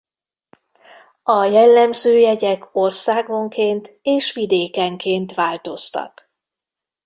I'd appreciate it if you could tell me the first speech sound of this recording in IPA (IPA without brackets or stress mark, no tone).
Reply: ɒ